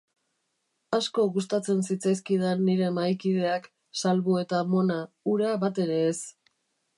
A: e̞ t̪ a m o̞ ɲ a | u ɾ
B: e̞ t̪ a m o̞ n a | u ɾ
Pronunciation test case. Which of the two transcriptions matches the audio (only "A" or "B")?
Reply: B